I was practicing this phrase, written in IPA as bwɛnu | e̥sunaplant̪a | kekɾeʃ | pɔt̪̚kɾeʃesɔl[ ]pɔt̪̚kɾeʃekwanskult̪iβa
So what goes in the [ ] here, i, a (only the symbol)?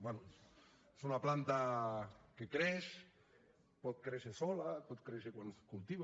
a